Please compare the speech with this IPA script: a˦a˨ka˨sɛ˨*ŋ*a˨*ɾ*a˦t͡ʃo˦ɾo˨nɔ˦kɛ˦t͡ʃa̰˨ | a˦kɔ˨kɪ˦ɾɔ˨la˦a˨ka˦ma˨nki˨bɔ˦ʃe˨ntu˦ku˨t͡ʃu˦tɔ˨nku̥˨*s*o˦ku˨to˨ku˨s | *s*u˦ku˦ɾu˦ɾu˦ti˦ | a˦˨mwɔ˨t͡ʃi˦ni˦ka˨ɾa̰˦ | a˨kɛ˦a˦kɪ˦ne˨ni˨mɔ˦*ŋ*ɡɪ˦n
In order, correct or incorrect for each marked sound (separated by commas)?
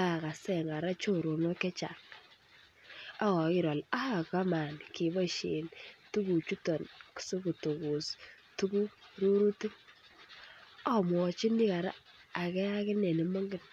correct, correct, correct, incorrect, correct